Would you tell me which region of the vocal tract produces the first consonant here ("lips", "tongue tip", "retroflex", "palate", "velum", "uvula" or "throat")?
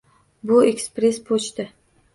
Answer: lips